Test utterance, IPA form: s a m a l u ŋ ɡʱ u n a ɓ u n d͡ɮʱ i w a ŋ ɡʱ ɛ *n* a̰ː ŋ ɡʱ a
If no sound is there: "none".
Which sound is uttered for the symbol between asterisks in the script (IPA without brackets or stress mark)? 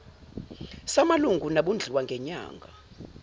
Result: ɲ